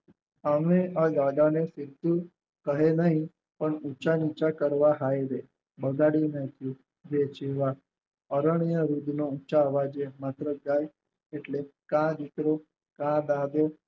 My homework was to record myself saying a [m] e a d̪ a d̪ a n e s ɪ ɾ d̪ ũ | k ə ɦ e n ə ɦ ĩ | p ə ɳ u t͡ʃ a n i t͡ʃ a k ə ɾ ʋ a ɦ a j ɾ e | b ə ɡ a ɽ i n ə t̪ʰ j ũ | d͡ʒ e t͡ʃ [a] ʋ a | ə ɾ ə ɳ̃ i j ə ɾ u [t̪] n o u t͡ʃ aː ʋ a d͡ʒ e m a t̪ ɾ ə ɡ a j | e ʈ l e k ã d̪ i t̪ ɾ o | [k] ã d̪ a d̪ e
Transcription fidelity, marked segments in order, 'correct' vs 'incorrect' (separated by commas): correct, incorrect, incorrect, correct